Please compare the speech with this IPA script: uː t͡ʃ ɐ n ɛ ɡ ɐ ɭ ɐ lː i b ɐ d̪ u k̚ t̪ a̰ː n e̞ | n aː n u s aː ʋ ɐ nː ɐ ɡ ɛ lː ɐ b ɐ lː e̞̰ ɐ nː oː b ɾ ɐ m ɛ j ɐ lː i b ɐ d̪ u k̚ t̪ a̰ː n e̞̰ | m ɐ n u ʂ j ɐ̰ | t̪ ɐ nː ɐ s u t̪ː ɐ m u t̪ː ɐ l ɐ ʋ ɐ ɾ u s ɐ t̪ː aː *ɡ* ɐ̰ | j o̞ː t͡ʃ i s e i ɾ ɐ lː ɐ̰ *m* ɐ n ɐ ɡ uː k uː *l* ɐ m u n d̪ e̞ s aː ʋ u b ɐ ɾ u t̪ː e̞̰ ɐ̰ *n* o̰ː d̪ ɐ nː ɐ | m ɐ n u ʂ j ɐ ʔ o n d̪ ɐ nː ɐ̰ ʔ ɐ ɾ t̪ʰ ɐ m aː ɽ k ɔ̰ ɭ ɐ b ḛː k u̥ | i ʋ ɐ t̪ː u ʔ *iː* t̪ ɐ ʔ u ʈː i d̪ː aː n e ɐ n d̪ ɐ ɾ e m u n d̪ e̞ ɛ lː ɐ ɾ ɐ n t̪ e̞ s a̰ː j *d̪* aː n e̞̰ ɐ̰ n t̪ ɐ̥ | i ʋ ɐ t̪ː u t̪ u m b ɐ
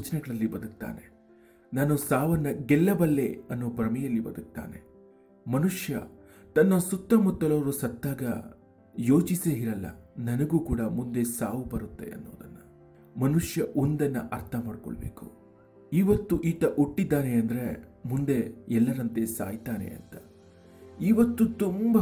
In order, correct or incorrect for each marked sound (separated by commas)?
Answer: correct, incorrect, incorrect, incorrect, correct, incorrect